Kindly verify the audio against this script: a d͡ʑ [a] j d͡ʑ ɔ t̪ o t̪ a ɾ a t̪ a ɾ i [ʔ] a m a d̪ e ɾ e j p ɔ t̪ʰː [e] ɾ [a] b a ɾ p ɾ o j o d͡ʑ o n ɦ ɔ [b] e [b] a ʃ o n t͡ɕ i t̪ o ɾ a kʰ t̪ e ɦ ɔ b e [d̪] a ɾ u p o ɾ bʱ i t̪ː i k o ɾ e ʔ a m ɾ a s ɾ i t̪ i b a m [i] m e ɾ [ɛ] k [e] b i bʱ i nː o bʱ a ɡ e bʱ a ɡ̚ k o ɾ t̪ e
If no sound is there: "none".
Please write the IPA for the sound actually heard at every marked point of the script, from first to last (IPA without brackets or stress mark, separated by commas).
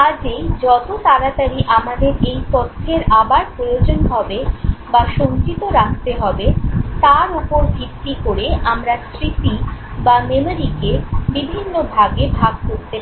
e, ʔ, e, a, b, b, t̪, e, i, e